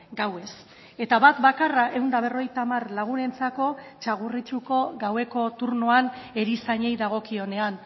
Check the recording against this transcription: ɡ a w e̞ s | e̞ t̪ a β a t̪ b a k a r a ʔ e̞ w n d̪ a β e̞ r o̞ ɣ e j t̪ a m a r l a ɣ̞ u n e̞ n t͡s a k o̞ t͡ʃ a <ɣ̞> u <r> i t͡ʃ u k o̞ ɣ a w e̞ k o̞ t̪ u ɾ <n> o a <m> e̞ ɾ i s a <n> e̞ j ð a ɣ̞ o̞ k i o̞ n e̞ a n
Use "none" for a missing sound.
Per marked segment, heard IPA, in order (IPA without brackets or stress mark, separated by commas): ɣ̞, r, n, n, ɲ